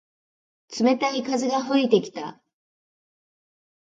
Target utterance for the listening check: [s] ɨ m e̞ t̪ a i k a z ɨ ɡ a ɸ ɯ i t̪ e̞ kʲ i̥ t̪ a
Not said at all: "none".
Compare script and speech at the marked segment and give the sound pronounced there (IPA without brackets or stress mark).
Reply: t͡s